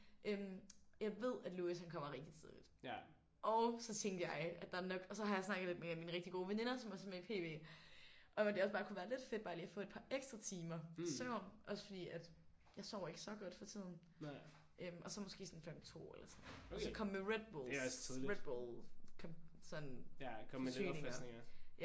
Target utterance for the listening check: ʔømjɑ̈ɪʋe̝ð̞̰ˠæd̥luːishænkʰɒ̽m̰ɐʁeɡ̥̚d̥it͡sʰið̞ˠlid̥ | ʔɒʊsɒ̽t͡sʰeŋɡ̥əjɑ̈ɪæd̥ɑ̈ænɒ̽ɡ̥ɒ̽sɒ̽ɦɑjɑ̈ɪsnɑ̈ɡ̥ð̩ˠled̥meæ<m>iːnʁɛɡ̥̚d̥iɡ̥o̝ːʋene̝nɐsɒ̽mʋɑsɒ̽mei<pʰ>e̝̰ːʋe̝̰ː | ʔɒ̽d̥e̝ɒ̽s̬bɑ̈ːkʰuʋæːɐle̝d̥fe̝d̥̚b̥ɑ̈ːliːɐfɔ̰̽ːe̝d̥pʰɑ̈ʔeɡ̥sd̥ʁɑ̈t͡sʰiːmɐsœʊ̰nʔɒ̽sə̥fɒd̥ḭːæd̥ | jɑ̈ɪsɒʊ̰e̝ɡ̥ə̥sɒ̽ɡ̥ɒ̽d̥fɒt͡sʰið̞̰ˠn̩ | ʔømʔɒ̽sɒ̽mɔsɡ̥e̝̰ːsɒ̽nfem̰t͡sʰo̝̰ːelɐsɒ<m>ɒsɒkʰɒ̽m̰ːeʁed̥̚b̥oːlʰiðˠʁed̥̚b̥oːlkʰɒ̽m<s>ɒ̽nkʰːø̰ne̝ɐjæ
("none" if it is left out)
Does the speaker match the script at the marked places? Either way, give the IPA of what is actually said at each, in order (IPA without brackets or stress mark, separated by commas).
m, pʰ, n, s